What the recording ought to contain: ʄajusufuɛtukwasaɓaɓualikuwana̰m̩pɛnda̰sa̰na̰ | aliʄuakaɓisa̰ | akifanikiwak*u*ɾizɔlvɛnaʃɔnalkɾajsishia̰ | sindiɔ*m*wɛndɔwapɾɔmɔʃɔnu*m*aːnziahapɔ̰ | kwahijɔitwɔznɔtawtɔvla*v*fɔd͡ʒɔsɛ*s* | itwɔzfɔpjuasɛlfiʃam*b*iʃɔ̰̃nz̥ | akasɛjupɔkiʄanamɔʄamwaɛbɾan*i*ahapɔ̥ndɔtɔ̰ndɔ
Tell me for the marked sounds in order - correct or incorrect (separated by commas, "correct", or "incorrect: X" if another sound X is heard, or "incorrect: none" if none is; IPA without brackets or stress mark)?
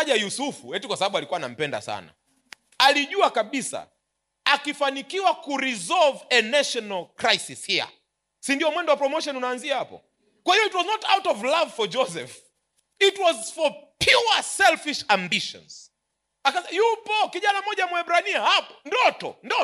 correct, correct, incorrect: n, correct, incorrect: f, correct, correct